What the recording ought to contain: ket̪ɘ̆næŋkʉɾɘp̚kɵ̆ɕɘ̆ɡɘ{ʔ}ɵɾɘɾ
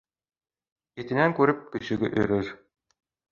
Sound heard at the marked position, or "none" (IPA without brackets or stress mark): ʔ